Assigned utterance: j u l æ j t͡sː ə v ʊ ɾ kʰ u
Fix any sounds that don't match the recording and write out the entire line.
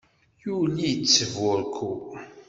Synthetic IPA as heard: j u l i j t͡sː ə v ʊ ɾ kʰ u